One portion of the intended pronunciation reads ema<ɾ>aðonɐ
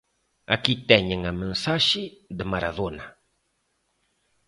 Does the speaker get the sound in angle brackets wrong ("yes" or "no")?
no